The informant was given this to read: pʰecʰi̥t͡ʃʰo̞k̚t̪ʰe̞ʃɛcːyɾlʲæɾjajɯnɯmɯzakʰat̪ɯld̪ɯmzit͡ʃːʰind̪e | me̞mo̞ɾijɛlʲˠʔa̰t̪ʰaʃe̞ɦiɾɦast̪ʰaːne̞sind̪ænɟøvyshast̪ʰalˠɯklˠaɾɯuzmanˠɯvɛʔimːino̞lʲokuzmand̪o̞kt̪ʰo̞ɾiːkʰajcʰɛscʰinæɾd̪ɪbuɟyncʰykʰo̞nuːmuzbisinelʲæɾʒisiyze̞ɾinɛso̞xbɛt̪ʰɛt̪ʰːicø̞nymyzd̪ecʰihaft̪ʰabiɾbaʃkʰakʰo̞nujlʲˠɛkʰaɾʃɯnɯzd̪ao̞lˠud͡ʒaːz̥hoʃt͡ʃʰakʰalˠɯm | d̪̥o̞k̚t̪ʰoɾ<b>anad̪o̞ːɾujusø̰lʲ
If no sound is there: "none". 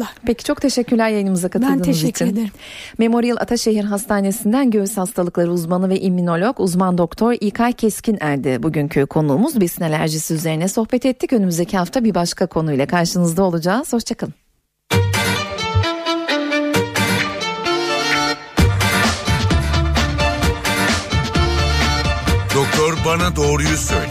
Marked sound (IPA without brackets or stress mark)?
b